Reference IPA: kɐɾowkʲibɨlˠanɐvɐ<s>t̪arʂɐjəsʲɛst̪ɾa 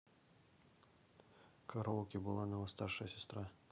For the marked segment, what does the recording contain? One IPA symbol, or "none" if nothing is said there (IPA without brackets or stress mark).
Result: s